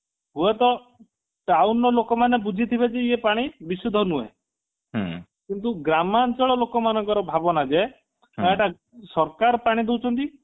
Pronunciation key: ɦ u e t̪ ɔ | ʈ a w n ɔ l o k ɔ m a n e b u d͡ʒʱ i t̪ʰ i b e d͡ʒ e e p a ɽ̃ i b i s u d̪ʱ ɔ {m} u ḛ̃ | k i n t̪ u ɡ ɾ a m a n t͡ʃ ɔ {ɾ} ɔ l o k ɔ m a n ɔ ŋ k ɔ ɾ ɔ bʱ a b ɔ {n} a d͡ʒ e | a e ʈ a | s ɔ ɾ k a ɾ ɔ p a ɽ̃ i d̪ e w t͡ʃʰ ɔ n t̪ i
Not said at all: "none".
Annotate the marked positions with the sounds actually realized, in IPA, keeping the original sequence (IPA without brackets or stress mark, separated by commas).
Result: n, ɭ, n